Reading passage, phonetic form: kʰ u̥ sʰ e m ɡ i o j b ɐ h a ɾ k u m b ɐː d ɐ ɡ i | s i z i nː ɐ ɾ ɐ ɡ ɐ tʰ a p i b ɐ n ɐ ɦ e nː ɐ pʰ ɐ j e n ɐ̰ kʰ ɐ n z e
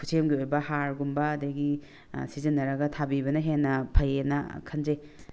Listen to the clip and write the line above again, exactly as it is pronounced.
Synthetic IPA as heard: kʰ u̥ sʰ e m ɡ i o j b ɐ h a ɾ ɡ u m b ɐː d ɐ ɡ i | s i z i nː ɐ ɾ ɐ ɡ ɐ tʰ a b i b ɐ n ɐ ɦ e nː ɐ pʰ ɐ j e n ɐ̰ kʰ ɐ n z e